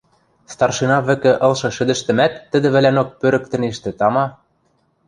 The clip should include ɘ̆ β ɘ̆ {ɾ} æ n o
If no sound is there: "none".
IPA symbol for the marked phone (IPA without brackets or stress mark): l